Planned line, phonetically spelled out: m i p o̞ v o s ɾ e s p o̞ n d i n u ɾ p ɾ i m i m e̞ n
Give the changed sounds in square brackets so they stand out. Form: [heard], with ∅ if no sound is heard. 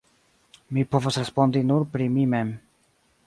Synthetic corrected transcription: m i p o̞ v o s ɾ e s p o̞ n d i n u ɾ p ɾ i m i m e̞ [m]